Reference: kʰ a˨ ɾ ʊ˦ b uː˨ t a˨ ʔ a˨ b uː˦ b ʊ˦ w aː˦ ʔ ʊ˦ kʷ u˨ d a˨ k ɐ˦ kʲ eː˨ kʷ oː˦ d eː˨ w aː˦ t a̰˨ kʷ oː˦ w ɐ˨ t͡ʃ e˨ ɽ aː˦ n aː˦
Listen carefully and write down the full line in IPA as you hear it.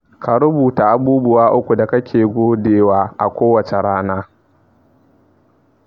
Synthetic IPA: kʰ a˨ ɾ ʊ˦ b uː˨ t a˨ ʔ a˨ b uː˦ b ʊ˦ w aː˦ ʔ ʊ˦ kʷ u˨ d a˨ k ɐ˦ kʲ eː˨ ɡʷ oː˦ d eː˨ w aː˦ ʔ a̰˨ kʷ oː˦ w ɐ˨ t͡ʃ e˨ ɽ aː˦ n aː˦